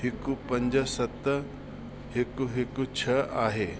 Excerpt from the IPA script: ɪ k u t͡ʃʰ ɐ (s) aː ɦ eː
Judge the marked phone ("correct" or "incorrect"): incorrect